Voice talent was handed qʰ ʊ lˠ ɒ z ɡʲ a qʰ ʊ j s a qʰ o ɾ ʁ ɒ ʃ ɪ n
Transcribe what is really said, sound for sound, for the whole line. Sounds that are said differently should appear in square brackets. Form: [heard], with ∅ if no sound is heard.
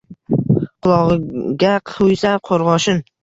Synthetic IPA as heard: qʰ ʊ lˠ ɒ [ʁ] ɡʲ a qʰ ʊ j s a qʰ o ɾ ʁ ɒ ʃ ɪ n